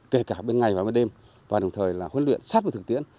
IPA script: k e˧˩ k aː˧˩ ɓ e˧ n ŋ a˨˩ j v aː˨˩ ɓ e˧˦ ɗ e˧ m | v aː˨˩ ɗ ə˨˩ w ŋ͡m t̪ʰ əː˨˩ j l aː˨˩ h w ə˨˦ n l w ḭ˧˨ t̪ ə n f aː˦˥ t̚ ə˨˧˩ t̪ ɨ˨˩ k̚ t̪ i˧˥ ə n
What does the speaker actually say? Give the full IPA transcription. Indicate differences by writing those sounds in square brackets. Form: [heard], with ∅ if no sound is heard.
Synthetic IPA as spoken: k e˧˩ k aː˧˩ ɓ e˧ n ŋ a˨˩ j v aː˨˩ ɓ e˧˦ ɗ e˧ m | v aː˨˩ ɗ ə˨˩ w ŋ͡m t̪ʰ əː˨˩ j l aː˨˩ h w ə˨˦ n l w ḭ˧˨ [∅] ə n [s] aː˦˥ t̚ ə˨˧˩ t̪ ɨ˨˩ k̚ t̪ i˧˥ ə n